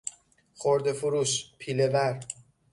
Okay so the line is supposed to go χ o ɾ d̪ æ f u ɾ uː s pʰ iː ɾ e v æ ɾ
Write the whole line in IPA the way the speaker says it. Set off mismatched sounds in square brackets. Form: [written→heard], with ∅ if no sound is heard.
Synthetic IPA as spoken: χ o ɾ d̪ [æ→e] f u ɾ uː [s→ʃ] pʰ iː [ɾ→l] e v æ ɾ